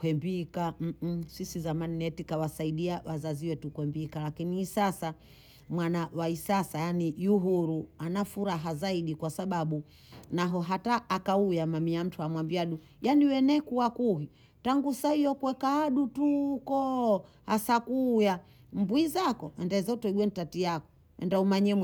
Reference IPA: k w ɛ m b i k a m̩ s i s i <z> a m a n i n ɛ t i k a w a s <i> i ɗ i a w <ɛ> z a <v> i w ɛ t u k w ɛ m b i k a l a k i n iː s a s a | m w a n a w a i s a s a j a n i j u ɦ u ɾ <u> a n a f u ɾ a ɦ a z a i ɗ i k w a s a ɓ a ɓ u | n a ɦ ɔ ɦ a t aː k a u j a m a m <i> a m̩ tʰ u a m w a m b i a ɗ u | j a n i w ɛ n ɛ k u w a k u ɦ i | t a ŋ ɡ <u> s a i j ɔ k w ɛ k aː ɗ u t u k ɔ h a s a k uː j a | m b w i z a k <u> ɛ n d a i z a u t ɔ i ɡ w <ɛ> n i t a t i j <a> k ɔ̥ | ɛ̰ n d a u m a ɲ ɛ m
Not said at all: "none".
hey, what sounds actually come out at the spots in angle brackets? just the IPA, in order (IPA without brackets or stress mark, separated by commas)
z, a, a, z, u, i, u, ɔ, ɛ, a